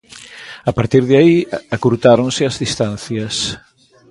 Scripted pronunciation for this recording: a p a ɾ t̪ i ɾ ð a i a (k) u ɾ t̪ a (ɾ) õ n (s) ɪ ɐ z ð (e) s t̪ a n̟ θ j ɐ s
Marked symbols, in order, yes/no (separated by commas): yes, yes, yes, no